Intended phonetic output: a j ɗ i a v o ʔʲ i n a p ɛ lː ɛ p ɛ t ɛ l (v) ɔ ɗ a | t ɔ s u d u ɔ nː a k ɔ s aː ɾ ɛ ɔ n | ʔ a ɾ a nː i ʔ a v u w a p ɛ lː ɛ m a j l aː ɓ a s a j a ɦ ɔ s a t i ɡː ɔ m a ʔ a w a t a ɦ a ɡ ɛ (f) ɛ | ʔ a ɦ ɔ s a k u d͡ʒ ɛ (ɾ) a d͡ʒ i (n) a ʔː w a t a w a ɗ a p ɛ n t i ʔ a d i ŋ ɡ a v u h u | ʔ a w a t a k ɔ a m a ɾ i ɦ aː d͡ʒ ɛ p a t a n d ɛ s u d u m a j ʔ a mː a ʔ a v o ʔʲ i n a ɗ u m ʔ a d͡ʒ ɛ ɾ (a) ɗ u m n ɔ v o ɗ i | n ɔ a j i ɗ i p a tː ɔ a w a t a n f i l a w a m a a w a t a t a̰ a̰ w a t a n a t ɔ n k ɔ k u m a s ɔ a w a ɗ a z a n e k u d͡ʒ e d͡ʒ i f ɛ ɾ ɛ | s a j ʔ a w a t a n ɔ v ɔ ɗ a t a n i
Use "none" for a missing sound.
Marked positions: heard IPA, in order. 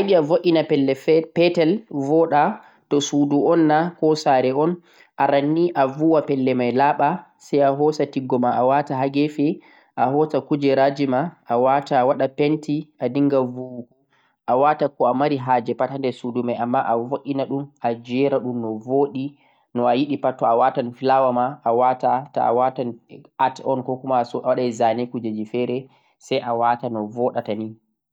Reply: v, f, ɾ, m, a

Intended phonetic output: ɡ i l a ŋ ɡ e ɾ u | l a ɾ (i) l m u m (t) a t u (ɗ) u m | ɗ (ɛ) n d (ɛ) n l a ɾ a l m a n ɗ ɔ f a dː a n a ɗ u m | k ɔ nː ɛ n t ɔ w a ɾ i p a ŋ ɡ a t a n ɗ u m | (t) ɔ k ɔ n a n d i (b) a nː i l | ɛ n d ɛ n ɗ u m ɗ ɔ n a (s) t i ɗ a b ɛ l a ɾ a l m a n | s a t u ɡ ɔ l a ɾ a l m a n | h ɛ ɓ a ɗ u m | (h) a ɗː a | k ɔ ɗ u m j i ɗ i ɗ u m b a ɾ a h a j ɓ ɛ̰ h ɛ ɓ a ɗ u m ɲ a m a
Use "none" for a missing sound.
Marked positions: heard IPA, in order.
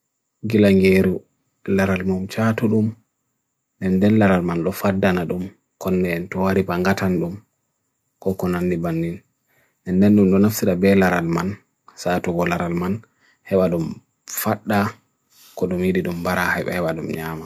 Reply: a, t͡ʃ, ɗ, ɛ, ɛ, k, b, f, f

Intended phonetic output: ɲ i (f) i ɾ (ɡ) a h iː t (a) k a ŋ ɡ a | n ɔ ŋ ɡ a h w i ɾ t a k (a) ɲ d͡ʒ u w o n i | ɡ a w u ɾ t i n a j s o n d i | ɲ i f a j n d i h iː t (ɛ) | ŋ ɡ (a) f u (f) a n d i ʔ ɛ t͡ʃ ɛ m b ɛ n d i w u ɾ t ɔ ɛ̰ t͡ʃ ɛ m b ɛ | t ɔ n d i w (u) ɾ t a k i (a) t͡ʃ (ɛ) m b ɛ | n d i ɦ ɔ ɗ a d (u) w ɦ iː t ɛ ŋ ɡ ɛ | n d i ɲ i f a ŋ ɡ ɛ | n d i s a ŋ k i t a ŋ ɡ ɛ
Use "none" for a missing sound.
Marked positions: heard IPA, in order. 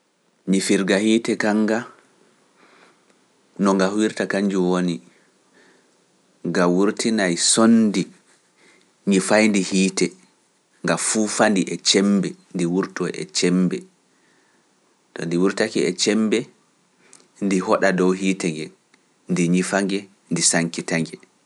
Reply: f, ɡ, ɛ, a, ɛ, a, f, u, ɛ, ɛ, ɔ

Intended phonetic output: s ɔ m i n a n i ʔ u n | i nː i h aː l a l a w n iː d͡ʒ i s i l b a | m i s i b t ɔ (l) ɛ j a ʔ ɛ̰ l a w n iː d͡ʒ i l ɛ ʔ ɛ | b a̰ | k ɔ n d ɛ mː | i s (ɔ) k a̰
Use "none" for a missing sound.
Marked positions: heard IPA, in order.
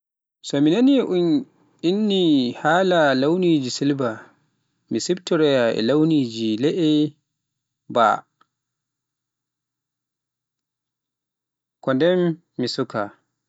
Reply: ɾ, u

